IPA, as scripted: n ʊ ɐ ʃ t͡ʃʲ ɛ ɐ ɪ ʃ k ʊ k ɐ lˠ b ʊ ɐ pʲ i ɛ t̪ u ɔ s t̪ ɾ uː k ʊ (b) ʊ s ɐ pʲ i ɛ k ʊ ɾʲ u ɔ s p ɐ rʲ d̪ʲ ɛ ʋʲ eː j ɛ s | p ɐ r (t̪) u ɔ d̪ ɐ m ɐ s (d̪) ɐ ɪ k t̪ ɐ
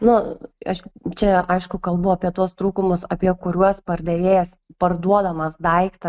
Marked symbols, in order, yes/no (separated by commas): no, no, yes